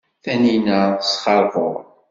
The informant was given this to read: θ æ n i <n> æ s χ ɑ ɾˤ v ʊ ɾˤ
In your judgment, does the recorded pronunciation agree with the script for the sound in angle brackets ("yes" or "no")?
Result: yes